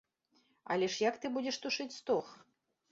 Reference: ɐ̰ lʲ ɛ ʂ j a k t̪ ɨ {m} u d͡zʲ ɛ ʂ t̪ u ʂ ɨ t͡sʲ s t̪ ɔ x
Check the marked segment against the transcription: incorrect: b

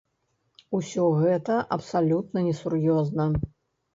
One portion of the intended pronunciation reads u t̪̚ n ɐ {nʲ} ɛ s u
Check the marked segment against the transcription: correct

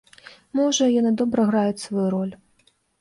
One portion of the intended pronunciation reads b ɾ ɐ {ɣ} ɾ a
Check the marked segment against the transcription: correct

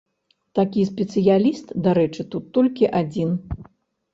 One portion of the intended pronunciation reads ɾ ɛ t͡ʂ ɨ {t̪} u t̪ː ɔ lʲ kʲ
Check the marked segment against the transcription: correct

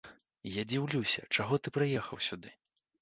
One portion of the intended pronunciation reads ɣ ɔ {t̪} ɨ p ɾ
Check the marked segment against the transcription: correct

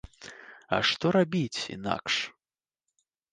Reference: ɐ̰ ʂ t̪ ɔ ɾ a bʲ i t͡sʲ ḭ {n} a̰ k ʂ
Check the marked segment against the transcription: correct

